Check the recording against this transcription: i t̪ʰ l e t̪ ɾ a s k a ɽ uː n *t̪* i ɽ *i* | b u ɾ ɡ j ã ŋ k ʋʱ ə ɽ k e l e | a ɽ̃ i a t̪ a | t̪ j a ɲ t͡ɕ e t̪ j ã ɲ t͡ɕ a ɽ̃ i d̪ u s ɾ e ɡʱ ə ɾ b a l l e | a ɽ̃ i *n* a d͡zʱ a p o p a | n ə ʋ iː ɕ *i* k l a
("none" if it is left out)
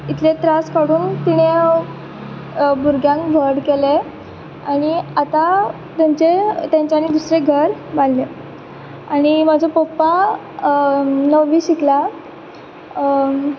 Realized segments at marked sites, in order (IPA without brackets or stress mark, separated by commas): t̪, e, m, i